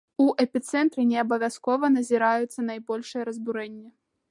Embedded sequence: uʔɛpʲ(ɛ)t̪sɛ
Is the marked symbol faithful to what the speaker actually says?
no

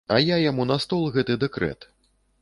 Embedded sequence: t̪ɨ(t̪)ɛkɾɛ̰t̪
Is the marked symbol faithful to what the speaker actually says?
no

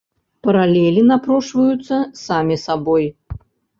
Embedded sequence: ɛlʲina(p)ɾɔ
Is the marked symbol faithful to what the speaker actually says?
yes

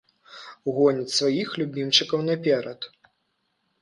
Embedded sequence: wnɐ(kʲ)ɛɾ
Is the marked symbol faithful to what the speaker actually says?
no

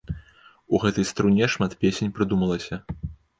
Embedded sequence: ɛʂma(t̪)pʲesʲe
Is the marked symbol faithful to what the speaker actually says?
yes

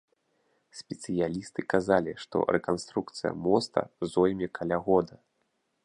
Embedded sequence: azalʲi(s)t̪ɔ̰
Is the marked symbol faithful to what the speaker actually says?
no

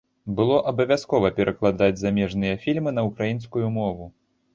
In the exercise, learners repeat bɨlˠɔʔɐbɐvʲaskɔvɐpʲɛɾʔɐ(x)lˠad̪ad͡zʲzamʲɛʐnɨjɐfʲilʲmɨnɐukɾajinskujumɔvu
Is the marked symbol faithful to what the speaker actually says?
no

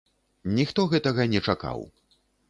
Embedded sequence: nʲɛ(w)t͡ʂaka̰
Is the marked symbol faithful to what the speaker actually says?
no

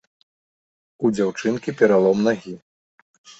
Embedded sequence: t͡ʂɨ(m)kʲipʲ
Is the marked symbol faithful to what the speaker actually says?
no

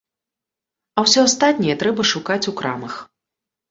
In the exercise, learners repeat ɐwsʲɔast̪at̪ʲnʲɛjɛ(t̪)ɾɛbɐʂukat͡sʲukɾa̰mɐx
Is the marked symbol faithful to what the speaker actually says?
yes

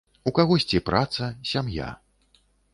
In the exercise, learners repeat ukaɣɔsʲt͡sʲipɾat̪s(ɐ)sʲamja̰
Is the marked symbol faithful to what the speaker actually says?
yes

